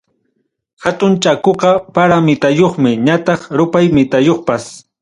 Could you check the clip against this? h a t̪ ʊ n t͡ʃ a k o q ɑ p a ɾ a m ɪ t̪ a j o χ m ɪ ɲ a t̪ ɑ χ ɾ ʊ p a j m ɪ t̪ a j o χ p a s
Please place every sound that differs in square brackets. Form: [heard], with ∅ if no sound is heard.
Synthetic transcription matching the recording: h a t̪ ʊ n t͡ʃ a k o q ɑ p a ɾ a m ɪ t̪ a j o χ m ɪ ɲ a t̪ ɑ χ ɾ ʊ p a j m ɪ t̪ a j o χ p a s